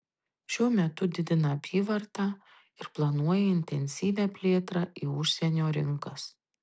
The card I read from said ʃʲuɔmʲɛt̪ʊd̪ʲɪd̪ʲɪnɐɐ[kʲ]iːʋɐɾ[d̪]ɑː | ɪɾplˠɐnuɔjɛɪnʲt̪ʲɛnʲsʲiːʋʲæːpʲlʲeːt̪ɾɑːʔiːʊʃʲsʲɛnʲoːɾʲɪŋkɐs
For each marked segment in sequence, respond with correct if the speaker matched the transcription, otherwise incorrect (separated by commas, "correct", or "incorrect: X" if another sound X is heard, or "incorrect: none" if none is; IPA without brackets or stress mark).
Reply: incorrect: pʲ, incorrect: t̪